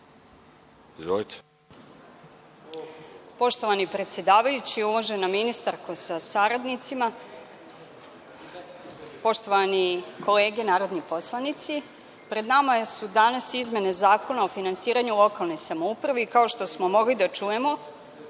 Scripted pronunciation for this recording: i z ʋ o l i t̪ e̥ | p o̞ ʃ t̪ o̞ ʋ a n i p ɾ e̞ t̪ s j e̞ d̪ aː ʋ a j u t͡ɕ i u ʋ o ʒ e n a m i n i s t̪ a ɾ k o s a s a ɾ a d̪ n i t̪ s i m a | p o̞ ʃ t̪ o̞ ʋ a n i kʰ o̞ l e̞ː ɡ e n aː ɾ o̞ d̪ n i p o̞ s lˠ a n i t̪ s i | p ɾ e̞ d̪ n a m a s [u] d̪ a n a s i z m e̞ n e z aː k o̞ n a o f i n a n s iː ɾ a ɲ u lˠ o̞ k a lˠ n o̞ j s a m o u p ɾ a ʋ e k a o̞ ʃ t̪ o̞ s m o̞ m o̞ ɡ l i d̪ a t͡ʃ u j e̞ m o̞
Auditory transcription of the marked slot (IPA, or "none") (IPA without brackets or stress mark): u